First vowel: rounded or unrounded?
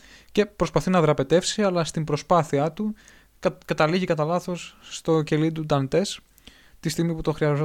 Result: unrounded